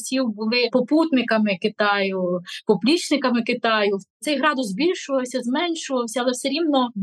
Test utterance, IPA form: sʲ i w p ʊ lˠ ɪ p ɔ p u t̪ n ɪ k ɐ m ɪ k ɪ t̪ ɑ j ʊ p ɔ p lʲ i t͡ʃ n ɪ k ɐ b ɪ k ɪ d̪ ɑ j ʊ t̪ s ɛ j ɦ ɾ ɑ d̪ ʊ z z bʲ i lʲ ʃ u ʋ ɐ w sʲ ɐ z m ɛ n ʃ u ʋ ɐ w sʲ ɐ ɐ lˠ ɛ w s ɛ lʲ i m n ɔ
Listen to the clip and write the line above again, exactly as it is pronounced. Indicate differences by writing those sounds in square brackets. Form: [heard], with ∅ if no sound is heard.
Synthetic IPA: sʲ i w [b] ʊ lˠ ɪ p ɔ p u t̪ n ɪ k ɐ m ɪ k ɪ t̪ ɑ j ʊ p ɔ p lʲ i t͡ʃ n ɪ k ɐ [m] ɪ k ɪ [t̪] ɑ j ʊ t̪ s ɛ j ɦ ɾ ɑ d̪ ʊ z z bʲ i lʲ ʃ [ʊ] ʋ ɐ w sʲ ɐ z m ɛ n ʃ [ʊ] ʋ ɐ w sʲ ɐ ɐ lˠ ɛ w s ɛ [ɾʲ] i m n ɔ